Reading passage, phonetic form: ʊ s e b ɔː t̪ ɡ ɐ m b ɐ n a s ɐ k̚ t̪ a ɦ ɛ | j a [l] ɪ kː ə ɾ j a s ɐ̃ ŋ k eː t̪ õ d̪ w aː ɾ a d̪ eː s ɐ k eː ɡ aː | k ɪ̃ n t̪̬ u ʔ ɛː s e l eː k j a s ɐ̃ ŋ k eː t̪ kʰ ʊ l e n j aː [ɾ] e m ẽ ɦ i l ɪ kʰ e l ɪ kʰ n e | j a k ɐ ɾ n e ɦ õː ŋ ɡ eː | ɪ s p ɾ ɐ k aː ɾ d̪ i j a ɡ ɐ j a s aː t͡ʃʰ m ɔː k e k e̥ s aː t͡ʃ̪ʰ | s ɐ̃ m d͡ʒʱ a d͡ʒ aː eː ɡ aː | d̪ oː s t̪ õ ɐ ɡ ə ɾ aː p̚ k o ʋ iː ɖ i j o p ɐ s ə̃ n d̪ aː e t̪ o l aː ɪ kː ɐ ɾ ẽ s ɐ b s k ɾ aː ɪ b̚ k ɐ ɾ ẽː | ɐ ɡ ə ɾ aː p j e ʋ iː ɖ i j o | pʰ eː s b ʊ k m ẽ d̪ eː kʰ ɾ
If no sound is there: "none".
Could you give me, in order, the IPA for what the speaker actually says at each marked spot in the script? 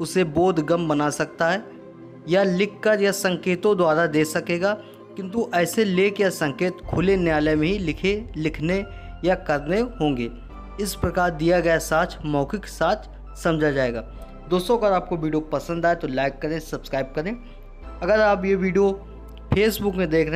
l, l

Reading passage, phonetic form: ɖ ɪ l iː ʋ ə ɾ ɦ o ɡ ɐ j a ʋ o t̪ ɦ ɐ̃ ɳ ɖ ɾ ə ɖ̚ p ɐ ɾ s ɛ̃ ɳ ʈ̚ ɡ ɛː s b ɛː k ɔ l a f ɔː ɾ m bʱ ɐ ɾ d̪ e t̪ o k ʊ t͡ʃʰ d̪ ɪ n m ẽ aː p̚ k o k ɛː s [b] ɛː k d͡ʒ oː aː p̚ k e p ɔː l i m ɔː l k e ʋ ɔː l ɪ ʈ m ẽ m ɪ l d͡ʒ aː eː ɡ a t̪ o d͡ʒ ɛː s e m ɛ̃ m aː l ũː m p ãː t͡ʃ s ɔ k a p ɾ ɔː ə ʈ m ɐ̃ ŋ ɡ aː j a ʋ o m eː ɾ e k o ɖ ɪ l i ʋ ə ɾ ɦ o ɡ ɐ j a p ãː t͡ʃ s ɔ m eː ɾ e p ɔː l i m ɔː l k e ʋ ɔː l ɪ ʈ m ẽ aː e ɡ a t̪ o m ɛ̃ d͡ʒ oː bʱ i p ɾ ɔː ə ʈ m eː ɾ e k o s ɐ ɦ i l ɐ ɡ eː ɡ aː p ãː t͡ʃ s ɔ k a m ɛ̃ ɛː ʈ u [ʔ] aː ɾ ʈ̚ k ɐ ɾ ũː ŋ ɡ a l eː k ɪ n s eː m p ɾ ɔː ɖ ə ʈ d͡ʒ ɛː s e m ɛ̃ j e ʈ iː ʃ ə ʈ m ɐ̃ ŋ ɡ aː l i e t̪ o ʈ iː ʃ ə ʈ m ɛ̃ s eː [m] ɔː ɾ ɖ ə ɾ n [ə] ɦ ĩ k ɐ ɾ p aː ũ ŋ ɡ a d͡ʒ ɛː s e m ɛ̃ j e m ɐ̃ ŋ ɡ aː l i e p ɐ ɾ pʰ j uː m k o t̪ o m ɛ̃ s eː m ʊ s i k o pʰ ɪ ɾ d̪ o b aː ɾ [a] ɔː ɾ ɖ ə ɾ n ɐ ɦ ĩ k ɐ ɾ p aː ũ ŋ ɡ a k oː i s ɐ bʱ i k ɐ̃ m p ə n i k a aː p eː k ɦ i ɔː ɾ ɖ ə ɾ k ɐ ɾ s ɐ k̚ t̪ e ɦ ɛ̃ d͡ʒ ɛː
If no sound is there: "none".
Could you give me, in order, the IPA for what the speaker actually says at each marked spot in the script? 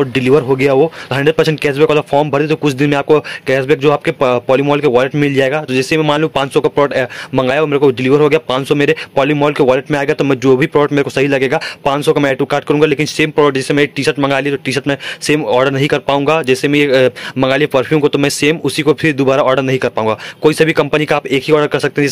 b, k, m, ɐ, a

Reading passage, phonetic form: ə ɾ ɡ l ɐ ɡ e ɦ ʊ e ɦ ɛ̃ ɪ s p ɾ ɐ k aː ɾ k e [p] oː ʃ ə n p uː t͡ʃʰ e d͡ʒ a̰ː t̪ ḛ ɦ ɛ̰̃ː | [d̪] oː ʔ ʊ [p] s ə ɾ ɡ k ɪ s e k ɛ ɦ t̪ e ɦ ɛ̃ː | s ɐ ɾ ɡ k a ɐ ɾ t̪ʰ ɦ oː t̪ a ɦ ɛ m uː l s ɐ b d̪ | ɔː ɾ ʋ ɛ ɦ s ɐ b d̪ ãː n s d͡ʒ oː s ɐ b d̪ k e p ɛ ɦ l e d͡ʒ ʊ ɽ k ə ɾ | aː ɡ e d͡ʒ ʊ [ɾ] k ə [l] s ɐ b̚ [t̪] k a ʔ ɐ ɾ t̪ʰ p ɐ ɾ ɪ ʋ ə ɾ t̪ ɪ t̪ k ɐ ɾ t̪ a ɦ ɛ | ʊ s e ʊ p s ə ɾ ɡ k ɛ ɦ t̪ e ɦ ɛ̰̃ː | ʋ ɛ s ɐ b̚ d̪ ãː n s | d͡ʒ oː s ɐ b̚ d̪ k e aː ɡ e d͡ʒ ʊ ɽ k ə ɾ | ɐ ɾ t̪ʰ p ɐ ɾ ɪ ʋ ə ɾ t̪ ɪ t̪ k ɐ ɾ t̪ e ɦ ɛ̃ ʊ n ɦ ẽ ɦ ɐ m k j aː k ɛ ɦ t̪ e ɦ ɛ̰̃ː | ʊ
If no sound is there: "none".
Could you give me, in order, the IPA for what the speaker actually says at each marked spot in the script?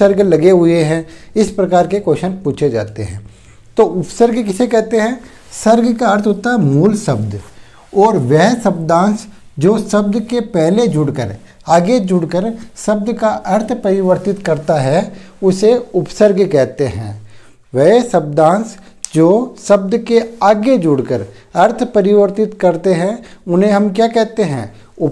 k, t̪, p, ɽ, ɾ, d̪

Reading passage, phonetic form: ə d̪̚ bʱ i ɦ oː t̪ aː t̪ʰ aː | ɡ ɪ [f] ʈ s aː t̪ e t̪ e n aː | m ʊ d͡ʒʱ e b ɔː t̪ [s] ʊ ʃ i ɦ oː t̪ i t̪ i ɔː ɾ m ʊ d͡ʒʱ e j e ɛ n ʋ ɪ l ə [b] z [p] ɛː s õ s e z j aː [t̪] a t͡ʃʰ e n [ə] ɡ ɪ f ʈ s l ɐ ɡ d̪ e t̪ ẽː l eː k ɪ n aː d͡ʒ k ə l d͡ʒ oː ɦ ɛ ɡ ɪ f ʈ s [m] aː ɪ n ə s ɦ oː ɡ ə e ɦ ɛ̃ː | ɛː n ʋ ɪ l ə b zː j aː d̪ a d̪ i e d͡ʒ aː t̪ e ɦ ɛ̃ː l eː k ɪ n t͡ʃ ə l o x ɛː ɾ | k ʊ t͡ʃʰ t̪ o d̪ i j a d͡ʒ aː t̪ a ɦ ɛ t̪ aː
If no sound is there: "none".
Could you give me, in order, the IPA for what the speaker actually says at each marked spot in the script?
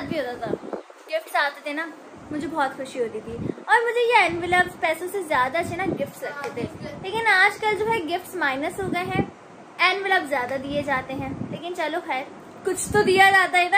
f, x, b, p, d̪, a, m

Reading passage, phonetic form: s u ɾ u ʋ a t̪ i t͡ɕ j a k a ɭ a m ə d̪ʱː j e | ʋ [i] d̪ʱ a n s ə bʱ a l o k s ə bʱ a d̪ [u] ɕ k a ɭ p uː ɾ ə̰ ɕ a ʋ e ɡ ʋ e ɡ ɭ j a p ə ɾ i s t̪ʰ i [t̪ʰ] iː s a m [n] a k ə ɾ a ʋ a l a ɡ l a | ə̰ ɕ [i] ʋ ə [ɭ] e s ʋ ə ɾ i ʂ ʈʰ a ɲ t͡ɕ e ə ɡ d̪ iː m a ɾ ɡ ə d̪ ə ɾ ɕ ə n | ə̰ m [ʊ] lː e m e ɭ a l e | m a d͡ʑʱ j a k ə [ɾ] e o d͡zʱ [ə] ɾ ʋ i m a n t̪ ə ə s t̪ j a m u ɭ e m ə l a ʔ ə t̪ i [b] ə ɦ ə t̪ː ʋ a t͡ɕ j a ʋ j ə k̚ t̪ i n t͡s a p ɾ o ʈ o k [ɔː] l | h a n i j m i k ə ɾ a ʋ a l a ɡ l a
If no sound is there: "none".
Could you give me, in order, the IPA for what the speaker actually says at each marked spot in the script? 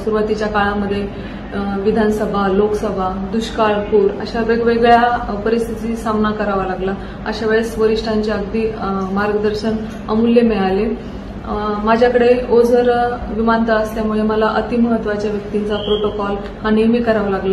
i, u, t̪, n, a, ɭ, u, ɽ, ə, m, ɔ

